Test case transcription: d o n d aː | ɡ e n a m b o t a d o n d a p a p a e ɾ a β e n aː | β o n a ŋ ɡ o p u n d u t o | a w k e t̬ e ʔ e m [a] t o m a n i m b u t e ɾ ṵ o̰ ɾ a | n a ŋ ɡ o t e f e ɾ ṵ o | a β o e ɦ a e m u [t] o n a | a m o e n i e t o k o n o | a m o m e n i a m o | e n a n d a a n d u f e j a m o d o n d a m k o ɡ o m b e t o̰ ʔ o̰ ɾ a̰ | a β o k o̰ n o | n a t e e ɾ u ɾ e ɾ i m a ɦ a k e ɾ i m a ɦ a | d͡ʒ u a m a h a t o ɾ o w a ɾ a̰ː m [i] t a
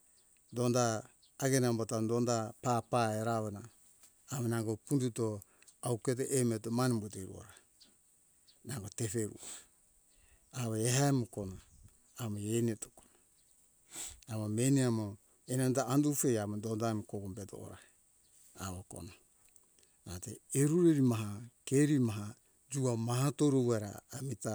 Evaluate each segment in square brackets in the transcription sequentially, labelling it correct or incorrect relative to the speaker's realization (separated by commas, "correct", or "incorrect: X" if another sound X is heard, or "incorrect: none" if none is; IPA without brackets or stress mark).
incorrect: e, incorrect: k, correct